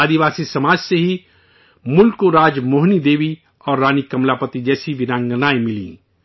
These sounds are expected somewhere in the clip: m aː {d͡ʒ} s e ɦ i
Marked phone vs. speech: correct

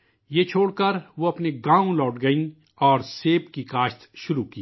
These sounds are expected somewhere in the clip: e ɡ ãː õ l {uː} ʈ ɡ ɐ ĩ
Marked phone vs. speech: incorrect: ɔː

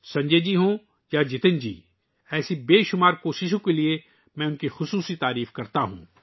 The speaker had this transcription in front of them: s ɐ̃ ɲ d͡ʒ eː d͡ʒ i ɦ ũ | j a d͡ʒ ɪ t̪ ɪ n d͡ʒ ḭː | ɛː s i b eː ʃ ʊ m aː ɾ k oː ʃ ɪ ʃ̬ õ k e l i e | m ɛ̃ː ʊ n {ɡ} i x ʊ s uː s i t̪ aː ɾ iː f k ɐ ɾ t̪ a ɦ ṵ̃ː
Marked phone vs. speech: incorrect: k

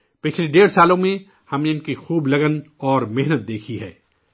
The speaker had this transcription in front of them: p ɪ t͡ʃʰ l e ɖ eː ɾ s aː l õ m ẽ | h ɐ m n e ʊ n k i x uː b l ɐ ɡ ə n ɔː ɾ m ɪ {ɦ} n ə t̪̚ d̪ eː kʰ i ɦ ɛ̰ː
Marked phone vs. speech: correct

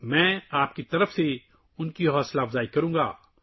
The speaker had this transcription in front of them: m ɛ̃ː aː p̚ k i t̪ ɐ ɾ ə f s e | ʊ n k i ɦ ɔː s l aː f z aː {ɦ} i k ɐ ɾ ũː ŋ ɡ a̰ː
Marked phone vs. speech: incorrect: none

